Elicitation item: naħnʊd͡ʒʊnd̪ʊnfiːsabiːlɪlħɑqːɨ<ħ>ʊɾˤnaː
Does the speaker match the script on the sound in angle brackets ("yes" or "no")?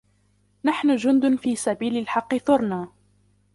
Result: no